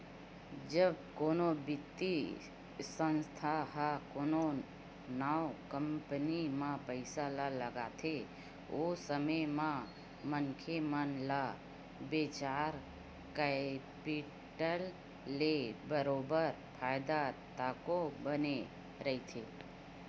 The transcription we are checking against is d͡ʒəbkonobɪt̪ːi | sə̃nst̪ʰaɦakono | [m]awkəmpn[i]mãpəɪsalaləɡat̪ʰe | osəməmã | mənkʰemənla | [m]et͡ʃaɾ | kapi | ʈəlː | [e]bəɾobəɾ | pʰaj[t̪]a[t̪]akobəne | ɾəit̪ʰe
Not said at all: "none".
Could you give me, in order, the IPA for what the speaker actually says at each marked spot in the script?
n, i, b, e, d̪, t̪

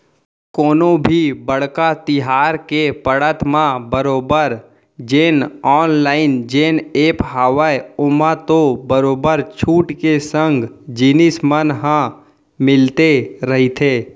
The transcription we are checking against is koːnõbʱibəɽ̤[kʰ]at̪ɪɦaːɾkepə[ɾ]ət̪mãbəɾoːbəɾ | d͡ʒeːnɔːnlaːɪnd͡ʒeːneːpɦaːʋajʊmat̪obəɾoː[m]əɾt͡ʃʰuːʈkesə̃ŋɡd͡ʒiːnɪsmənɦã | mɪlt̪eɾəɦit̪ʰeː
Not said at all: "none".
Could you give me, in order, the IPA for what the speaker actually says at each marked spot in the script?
k, ɽ, b

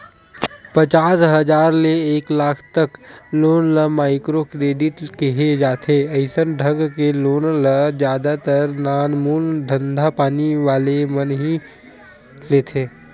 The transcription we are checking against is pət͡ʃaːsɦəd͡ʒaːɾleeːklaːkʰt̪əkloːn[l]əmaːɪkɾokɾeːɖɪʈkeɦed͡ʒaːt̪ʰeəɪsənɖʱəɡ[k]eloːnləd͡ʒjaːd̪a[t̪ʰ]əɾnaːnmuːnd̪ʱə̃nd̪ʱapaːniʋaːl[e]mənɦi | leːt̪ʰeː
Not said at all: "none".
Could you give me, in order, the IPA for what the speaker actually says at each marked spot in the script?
l, k, t̪, e

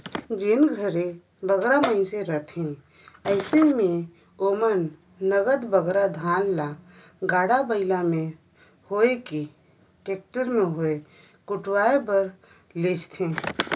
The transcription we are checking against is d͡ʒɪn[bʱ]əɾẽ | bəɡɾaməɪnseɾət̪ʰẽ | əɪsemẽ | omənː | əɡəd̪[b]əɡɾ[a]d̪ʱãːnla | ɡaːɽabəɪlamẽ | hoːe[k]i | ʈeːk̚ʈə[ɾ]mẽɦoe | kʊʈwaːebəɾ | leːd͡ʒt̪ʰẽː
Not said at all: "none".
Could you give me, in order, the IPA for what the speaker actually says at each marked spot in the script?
ɡʱ, b, a, k, ɾ

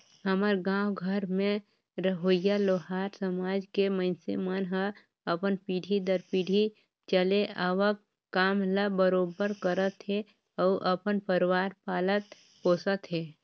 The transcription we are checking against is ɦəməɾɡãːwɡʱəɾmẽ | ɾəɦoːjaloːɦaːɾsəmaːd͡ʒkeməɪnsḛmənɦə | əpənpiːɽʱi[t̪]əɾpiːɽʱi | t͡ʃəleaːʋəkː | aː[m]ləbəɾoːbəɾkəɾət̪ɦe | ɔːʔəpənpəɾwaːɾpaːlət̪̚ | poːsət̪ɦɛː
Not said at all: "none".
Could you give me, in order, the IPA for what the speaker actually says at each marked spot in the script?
d̪, m

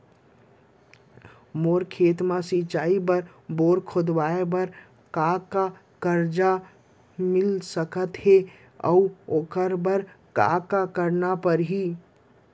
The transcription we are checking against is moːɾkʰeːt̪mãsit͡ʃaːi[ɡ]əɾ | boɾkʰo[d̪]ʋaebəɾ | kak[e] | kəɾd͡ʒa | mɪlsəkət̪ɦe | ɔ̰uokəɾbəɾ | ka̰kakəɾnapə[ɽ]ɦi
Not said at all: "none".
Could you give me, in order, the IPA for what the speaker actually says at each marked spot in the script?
b, d̪, a, ɾ

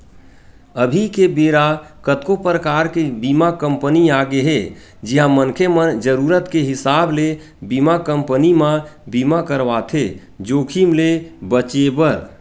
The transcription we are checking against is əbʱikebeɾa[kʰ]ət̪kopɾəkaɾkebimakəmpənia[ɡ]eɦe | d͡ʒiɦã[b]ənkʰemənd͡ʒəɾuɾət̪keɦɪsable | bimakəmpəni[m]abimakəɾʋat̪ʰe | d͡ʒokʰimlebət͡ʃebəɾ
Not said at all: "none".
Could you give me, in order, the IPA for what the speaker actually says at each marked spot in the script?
k, ɡ, m, m

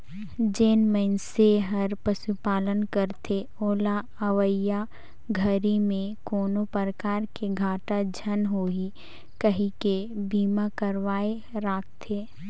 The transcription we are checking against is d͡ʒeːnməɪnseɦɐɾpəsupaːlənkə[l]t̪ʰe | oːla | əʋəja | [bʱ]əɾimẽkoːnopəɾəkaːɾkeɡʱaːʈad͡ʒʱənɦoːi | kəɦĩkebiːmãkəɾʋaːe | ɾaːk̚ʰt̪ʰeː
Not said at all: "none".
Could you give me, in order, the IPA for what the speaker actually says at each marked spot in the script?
ɾ, ɡʱ

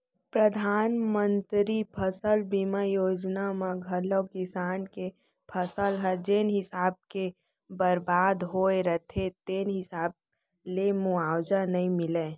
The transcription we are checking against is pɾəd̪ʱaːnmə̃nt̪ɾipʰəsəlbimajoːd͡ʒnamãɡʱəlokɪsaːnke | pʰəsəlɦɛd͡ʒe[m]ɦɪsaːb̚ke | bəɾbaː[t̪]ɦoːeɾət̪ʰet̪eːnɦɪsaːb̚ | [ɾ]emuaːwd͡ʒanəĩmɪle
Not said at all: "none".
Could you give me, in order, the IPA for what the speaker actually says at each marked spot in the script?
n, d̪, l

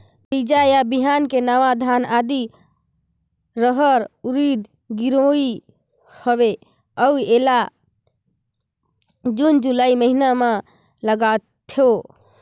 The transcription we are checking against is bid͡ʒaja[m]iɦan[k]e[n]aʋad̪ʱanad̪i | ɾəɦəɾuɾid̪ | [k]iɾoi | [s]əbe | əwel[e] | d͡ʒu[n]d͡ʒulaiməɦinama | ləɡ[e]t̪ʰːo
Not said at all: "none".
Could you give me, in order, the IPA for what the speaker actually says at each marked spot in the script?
b, k, n, ɡ, h, a, n, a

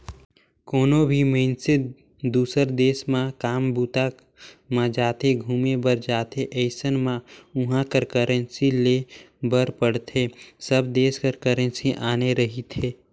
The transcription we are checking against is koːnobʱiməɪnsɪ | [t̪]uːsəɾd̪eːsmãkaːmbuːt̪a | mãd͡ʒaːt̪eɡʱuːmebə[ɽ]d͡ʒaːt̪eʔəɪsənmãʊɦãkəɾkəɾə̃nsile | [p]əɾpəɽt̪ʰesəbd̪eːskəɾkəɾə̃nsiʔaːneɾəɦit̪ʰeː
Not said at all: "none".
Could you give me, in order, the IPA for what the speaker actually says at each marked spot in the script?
d̪, ɾ, b

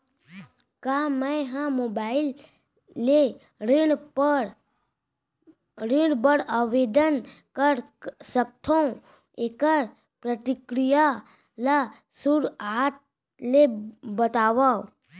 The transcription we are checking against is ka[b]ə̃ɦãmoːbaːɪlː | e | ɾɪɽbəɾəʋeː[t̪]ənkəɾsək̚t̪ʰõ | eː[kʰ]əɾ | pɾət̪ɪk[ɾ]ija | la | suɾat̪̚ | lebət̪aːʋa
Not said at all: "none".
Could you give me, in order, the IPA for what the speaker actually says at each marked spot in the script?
m, d̪, k, ɾ

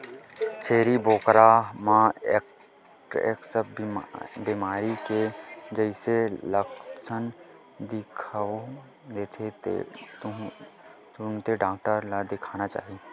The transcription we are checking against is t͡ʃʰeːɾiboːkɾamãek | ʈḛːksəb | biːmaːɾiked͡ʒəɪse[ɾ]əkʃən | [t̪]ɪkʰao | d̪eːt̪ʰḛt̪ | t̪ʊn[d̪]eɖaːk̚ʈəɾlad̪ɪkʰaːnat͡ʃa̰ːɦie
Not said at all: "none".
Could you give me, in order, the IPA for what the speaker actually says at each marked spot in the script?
l, d̪, t̪

